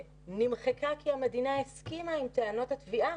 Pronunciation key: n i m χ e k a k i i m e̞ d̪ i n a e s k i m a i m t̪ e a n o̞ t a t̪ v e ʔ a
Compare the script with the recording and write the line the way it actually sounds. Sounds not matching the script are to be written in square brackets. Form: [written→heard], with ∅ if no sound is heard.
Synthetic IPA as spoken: n i m χ e k a k i [i→a] m e̞ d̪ i n a e s k i m a i m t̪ e a n o̞ t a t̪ v [e→i] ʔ a

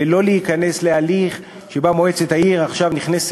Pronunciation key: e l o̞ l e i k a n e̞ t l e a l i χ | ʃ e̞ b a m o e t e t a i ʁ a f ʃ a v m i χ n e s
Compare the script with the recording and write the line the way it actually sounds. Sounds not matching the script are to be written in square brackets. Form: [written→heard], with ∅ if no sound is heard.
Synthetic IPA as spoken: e l o̞ l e i k a n e̞ [t→s] l e a l i χ | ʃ e̞ b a m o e [t→t͡s] e t a i ʁ a [f→χ] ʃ a v [m→n] i χ n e s

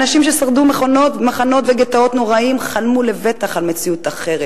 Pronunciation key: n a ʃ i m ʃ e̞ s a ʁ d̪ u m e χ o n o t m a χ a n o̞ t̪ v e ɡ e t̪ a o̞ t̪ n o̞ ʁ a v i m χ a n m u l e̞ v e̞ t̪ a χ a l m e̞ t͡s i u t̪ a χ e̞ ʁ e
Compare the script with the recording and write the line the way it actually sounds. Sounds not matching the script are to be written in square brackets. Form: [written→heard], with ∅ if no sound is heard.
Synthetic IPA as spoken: n a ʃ i m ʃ e̞ s a ʁ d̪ u m e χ o n o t m a χ a n o̞ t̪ v e ɡ e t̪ a o̞ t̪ n o̞ ʁ a [v→∅] i m χ a n m u l e̞ v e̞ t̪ a χ a l m e̞ t͡s i u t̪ a χ e̞ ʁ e

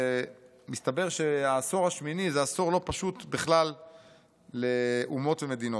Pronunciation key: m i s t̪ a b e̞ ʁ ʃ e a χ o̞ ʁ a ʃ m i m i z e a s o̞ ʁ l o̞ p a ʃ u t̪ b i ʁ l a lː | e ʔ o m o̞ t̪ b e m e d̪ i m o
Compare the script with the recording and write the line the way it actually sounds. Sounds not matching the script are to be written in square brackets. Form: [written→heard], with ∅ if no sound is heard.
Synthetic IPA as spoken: m i s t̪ a b e̞ ʁ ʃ e a [χ→s] o̞ ʁ a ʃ m i [m→n] i z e a s o̞ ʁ l o̞ p a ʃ u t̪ b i [ʁ→χ] l a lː | e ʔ [o→u] m o̞ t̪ [b→v] e m e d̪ i [m→n] o

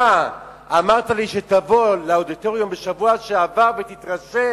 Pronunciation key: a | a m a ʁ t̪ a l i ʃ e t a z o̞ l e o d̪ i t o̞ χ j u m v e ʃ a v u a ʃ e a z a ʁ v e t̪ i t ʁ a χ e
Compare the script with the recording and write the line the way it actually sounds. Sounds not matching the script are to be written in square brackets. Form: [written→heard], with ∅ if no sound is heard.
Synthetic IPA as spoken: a | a m a ʁ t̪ a l i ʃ e t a [z→v] o̞ l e o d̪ i t o̞ [χ→ʁ] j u m [v→b] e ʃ a v u a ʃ e a [z→v] a ʁ v e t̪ i t ʁ a [χ→ʃ] e

